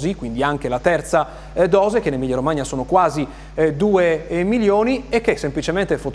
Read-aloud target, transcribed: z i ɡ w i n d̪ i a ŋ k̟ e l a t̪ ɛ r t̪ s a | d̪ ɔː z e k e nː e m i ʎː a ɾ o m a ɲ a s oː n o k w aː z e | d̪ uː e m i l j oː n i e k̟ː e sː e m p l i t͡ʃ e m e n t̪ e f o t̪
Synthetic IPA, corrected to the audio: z i k w i n d̪ i a ŋ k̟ e l a t̪ ɛ r t̪ s a | d̪ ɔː z e k e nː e m i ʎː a ɾ o m a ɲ a s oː n o k w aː z i | d̪ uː e m i l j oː n i e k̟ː e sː e m p l i t͡ʃ e m e n t̪ e f o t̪